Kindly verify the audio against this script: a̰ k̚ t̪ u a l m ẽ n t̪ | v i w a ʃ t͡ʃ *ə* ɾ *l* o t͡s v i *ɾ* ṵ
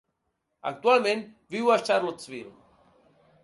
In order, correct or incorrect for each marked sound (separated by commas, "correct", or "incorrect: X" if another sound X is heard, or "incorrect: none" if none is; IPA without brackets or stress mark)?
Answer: incorrect: a, correct, correct